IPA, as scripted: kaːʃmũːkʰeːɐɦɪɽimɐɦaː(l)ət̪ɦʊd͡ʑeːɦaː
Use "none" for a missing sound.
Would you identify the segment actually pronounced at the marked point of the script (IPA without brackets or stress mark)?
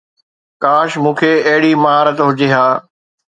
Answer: ɾ